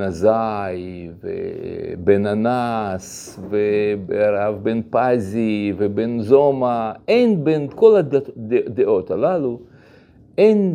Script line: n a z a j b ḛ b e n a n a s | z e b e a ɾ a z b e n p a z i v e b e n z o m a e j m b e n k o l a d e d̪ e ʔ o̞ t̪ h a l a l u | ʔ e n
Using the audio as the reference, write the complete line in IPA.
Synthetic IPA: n a z a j v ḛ b e n a n a s | v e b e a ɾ a v b e n p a z i v e b e n z o m a e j n b e n k o l a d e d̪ e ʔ o̞ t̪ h a l a l u | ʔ e n